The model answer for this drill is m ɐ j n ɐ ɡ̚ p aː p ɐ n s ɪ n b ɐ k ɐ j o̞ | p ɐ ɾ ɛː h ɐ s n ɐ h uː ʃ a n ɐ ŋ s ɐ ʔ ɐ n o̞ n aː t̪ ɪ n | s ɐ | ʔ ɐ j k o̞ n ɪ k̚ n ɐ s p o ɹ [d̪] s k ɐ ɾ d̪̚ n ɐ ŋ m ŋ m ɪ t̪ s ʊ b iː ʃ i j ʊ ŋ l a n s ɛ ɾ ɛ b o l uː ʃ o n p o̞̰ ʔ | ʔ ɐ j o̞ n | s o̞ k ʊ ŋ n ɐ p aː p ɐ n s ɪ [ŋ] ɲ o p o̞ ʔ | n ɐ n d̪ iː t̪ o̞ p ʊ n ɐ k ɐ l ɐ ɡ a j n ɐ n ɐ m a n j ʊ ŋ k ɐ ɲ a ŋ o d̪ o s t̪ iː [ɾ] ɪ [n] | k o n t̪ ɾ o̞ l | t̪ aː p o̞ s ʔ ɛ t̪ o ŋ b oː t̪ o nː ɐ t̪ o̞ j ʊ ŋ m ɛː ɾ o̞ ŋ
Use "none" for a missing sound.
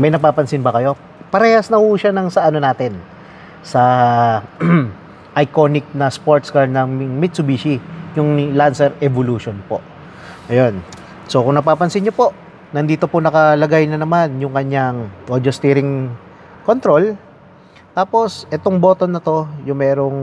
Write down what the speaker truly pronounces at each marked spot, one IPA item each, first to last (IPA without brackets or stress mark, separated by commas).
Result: t̪, n, ɾ, ŋ